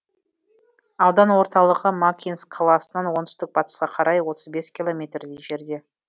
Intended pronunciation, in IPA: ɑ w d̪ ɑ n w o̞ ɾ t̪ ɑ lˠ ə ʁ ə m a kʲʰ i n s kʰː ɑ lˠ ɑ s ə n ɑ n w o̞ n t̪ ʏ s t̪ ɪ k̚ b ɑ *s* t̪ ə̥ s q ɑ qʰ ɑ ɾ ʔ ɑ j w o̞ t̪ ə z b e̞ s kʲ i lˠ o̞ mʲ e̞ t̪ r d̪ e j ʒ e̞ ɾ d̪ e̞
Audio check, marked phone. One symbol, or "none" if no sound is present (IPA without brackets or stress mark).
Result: none